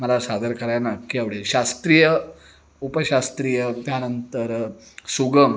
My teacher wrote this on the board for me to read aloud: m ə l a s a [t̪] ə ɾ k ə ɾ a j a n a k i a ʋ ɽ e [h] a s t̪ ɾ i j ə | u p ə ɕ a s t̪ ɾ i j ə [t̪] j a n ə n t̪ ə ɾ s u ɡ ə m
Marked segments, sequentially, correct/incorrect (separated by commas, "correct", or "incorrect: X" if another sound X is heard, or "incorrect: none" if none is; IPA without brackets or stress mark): incorrect: d̪, incorrect: ɕ, correct